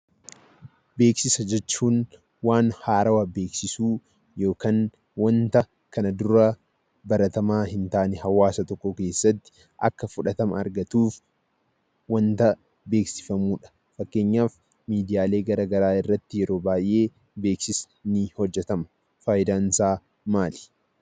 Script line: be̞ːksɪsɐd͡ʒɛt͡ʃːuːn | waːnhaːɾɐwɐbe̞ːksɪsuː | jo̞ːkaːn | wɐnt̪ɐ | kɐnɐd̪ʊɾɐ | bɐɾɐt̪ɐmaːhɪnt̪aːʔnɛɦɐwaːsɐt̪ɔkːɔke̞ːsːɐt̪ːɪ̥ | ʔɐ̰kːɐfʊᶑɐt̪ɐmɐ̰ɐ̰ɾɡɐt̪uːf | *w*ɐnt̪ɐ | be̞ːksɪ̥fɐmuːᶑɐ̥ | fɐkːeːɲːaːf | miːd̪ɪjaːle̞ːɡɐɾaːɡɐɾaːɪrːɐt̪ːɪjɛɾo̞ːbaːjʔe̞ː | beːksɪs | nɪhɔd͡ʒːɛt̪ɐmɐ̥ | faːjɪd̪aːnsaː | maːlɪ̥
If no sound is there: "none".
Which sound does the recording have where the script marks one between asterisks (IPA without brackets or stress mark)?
w